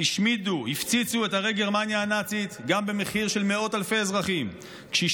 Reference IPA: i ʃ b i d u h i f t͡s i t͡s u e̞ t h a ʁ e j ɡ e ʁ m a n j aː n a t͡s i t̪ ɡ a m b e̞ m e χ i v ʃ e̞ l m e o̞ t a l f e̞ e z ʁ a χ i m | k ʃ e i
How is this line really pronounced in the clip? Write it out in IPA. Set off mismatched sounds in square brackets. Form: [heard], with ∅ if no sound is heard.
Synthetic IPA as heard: i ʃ [m] i d u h i f t͡s i t͡s u e̞ t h a ʁ e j ɡ e ʁ m a n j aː n a t͡s i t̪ ɡ a m b e̞ m e χ i [ʁ] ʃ e̞ l m e o̞ t a l f e̞ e z ʁ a χ i m | k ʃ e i